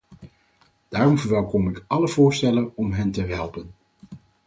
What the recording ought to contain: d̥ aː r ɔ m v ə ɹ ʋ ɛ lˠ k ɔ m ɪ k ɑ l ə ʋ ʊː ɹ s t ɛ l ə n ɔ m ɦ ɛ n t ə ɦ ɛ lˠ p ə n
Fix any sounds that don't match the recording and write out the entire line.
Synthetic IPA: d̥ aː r ɔ m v ə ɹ ʋ ɛ lˠ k ɔ m ɪ k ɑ l ə v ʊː ɹ s t ɛ l ə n ɔ m ɦ ɛ n t ə ɦ ɛ lˠ p ə n